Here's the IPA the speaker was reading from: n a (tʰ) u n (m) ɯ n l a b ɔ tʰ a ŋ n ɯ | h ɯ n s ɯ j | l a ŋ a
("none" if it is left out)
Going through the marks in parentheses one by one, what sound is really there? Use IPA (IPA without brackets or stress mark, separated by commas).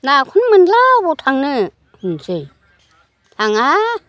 kʰ, m